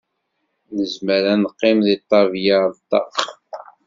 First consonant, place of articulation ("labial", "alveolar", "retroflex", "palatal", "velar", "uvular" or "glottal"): alveolar